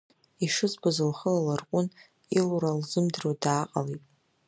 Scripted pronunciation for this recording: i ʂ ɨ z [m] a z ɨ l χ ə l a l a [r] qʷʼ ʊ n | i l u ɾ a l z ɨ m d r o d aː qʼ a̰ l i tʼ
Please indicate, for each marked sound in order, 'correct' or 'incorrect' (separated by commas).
incorrect, correct